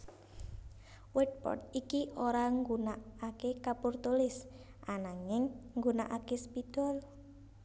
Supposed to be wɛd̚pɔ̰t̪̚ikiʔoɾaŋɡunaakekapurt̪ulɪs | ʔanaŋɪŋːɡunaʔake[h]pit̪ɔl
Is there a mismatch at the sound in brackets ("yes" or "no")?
yes